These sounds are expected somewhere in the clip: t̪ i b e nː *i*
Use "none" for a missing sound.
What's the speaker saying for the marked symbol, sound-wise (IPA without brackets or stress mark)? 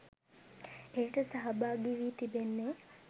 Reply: e